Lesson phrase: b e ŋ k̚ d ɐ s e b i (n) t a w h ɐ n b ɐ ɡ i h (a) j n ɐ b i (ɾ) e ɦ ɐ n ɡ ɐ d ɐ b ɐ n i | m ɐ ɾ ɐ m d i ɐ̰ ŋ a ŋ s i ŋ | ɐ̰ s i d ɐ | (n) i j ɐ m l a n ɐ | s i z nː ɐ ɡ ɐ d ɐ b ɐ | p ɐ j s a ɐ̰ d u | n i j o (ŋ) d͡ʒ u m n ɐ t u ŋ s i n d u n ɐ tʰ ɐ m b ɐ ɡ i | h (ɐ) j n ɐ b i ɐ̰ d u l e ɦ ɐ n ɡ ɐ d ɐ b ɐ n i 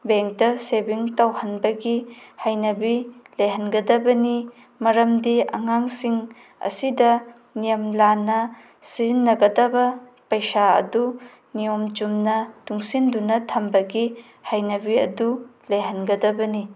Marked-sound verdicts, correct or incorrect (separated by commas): incorrect, correct, incorrect, correct, incorrect, incorrect